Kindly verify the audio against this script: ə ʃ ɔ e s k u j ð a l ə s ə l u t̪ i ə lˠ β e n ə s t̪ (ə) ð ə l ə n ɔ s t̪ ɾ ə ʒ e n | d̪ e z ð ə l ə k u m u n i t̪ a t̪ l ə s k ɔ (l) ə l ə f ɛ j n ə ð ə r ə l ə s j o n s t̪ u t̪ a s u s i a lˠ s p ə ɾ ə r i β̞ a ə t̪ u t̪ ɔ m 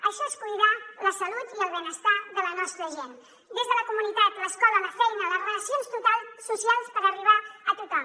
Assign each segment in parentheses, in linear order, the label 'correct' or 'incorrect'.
incorrect, correct

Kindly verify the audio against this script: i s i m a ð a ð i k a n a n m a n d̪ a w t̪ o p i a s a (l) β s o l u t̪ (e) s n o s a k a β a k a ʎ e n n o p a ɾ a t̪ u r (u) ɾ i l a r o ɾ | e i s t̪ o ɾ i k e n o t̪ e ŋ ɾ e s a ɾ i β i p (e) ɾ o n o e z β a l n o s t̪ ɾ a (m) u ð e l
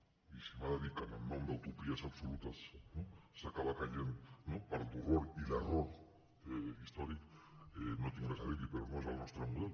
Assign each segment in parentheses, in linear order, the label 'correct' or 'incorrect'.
incorrect, incorrect, incorrect, correct, correct

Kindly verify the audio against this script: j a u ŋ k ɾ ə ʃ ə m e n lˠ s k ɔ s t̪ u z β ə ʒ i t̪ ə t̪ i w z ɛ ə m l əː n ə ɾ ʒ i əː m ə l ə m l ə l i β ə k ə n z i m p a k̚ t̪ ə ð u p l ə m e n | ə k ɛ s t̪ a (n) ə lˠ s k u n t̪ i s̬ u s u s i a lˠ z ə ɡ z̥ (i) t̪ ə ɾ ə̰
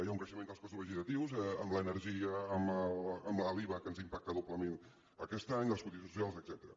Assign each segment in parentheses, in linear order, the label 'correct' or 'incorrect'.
incorrect, incorrect

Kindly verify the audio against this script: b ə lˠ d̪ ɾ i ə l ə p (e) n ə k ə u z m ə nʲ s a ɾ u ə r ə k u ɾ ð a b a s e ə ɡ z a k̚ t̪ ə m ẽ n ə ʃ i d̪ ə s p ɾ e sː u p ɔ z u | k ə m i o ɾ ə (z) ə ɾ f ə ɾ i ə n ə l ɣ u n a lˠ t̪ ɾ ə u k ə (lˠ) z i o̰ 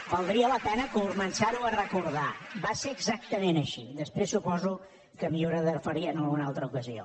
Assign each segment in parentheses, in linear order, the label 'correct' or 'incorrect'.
incorrect, incorrect, incorrect

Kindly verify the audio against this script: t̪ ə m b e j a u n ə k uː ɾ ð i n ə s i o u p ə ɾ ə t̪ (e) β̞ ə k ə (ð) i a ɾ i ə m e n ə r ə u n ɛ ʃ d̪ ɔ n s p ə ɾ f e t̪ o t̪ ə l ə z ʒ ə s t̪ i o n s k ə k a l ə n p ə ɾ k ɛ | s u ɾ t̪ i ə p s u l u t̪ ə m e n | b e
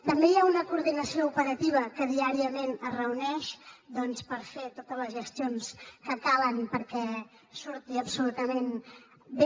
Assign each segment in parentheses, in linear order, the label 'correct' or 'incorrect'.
incorrect, correct

